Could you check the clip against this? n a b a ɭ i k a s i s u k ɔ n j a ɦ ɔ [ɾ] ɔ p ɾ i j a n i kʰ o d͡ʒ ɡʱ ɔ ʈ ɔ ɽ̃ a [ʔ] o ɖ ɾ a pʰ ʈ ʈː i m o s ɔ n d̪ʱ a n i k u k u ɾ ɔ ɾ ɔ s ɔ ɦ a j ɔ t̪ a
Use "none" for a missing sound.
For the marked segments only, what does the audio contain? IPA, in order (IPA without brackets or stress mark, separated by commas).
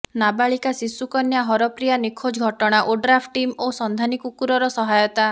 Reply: ɾ, ʔ